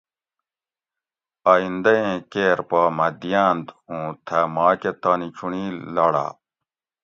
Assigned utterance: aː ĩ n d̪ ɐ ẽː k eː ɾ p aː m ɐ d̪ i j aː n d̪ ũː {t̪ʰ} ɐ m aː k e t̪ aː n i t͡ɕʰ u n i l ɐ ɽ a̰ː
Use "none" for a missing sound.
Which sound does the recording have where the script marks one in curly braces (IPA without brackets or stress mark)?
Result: t̪ʰ